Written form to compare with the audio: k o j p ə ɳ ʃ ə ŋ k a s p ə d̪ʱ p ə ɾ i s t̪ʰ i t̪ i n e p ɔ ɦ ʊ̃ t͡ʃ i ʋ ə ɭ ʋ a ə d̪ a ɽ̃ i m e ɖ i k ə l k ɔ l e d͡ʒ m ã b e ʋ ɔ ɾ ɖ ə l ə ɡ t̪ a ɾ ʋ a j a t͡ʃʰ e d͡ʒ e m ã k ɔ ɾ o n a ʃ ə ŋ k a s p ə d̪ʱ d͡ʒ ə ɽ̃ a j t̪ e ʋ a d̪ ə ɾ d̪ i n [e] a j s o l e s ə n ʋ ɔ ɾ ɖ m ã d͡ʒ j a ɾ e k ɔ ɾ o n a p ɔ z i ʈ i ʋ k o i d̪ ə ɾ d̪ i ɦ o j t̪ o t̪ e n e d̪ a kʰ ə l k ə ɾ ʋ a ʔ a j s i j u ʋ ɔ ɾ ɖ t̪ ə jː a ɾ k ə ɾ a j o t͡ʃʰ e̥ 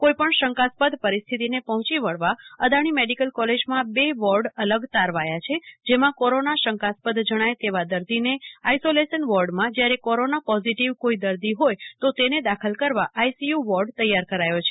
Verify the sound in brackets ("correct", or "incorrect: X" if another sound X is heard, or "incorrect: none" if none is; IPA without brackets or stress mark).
correct